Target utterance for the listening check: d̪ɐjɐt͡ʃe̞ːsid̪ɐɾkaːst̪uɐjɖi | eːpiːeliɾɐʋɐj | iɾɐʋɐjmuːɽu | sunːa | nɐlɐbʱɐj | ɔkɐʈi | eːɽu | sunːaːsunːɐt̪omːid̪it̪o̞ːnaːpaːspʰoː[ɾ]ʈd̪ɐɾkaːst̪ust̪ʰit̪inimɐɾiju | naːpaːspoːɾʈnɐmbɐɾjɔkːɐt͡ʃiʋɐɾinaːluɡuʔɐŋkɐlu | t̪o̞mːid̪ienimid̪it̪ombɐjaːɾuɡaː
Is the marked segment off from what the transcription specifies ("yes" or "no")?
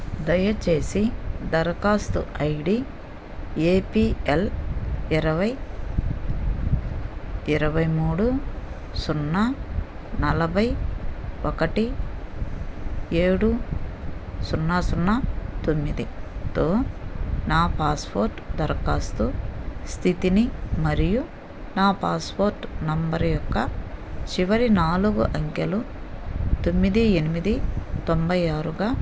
no